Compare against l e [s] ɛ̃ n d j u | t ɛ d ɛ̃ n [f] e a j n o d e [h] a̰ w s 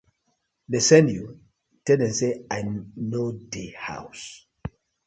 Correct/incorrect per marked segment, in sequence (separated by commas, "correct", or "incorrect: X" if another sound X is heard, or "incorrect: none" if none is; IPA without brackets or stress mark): correct, incorrect: s, correct